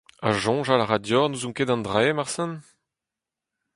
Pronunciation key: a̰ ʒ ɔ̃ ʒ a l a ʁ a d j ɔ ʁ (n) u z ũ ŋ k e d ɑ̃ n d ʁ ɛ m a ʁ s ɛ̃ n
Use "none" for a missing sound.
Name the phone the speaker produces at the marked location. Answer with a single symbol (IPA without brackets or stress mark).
n